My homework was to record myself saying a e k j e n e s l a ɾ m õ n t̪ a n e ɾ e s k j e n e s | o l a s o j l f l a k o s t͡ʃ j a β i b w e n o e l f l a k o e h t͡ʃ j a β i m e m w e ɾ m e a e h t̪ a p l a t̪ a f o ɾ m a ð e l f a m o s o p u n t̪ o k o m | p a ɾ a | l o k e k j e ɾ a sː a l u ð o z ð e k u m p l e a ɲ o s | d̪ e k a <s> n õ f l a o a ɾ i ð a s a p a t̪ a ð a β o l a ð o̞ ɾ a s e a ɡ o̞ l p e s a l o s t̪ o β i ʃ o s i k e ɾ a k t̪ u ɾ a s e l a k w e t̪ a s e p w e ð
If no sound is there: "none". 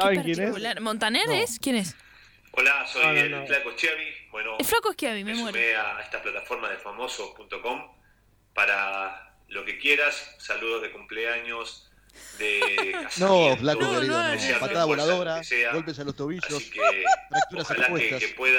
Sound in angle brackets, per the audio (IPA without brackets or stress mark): s